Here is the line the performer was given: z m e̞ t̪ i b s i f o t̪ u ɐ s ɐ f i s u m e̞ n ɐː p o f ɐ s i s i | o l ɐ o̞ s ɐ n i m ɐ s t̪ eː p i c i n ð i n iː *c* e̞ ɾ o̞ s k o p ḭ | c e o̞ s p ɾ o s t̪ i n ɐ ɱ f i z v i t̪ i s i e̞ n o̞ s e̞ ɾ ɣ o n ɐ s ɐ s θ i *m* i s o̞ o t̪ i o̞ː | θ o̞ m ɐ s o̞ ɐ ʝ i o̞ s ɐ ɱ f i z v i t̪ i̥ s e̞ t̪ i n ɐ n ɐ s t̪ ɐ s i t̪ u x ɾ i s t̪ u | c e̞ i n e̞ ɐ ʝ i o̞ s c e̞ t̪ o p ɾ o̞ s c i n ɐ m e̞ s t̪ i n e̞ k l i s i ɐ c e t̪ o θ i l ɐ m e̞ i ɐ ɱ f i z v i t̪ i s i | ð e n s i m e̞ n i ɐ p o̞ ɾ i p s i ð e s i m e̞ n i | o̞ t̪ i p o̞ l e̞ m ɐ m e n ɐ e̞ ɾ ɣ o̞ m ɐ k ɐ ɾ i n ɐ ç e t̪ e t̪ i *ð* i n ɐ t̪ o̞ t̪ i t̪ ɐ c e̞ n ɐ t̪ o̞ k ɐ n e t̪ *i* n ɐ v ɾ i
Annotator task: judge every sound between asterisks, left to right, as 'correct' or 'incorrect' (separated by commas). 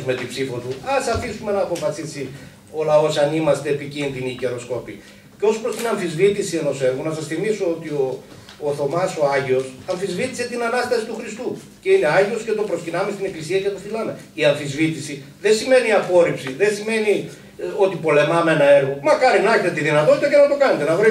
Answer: correct, correct, correct, incorrect